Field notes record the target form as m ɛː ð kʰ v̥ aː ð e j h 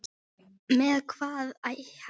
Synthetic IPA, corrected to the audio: m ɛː ð kʰ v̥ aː ð a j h